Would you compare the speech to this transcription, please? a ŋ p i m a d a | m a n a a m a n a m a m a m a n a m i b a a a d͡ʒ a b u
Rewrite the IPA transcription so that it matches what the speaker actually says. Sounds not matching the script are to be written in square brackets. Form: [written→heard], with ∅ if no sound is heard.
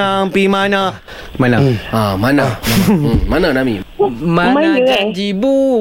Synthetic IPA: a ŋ p i m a [d→n] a | m a n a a m a n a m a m a [m→n] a n a m i [b→m] a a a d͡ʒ [a→i] b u